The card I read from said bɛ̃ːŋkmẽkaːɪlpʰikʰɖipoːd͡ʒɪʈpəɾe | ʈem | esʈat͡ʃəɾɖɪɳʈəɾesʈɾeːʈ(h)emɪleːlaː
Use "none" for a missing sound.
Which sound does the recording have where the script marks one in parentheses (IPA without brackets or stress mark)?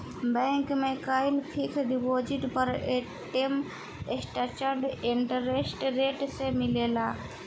s